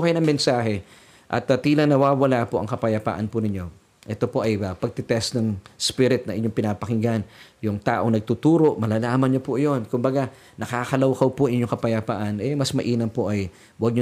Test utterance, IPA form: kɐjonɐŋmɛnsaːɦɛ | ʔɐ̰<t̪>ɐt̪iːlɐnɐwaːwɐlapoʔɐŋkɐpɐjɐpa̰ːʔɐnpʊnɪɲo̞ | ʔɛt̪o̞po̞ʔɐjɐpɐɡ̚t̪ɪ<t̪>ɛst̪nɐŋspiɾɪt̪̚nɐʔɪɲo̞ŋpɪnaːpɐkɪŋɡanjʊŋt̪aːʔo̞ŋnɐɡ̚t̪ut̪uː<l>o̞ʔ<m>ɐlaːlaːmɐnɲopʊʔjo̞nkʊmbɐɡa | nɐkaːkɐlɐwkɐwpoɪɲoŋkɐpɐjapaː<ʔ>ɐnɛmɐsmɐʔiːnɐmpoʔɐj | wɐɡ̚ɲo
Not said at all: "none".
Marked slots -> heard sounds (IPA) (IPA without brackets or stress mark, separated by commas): t̪, t̪, ɾ, m, ʔ